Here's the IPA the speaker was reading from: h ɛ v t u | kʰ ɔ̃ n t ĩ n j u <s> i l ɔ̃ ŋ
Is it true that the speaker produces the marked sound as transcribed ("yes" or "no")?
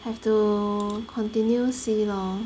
yes